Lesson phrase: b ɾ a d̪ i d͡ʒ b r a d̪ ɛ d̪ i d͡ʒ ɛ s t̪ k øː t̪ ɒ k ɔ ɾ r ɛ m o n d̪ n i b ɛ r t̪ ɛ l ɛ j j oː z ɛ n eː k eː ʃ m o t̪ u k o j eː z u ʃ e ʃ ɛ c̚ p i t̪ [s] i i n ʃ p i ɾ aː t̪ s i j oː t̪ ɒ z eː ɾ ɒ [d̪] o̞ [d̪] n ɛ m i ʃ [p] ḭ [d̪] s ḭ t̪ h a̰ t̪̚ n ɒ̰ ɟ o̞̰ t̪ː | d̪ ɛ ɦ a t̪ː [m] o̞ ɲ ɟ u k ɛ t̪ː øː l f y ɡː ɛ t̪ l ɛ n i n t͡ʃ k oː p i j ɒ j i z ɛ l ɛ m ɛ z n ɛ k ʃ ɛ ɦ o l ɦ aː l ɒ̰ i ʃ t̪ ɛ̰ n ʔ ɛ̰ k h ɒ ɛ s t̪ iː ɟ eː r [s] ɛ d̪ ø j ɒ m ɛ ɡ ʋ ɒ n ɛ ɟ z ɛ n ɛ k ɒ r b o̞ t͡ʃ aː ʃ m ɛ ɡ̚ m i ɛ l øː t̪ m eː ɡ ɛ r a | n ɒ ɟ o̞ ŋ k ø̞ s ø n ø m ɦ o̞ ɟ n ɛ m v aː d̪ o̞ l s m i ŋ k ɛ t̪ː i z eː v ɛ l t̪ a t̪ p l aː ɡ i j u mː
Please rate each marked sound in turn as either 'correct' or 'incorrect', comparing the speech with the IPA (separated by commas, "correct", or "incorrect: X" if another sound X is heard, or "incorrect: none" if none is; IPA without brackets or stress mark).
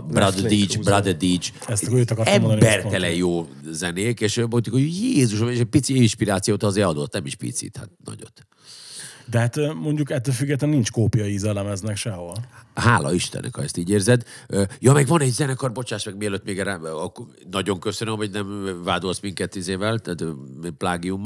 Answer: correct, correct, incorrect: t̪, correct, incorrect: t̪, correct, incorrect: z